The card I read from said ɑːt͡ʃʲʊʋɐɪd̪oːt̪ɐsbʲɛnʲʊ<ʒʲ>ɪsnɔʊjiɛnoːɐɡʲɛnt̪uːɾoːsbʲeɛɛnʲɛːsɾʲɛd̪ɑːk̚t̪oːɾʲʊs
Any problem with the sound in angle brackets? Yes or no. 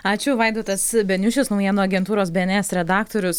yes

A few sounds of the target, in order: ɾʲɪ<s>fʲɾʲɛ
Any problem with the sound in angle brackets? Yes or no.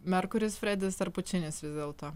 no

